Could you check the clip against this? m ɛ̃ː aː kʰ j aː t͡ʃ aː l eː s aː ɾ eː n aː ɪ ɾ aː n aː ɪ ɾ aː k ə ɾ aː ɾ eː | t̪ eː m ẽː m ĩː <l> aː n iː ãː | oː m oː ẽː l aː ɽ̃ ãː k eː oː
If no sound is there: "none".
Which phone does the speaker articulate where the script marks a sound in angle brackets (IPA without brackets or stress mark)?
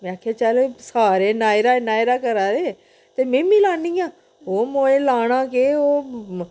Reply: l